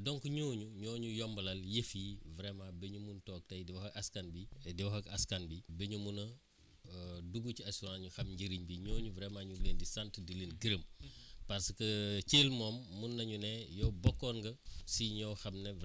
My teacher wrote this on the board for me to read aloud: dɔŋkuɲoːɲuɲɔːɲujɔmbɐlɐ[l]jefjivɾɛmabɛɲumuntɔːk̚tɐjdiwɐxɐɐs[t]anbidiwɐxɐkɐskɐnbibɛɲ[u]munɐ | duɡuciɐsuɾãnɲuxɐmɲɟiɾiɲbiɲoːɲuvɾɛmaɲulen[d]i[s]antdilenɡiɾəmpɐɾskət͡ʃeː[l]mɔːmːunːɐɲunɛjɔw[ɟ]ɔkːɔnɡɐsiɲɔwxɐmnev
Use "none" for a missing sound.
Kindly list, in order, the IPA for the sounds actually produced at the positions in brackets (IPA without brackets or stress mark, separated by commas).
l, k, u, d, s, l, b